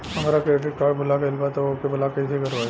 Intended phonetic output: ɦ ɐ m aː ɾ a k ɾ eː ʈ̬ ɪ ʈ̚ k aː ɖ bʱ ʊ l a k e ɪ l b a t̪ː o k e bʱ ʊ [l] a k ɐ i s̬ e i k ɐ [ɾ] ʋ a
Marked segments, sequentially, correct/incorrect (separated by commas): correct, correct